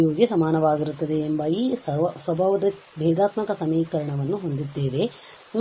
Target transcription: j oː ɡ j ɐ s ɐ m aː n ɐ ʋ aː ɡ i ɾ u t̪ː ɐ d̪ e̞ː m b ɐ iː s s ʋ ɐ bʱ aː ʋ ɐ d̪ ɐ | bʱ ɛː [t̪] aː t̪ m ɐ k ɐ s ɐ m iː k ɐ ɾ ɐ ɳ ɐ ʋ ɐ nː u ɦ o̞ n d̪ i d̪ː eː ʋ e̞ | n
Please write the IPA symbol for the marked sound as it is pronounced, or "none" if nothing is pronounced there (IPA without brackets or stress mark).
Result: d̪